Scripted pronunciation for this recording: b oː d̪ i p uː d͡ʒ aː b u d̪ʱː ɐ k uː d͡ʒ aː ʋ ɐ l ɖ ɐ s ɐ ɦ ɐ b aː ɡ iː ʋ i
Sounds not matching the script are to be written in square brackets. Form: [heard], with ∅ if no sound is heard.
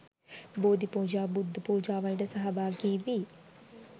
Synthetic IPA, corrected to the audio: b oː d̪ i p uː d͡ʒ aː b u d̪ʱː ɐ [p] uː d͡ʒ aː ʋ ɐ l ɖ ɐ s ɐ ɦ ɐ b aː ɡ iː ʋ i